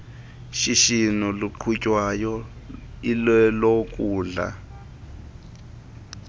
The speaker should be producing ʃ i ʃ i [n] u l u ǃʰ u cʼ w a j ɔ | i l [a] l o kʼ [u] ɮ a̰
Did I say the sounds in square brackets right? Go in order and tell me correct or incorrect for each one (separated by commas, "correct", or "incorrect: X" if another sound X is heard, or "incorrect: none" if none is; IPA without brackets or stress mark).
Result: correct, incorrect: ɛ, incorrect: uː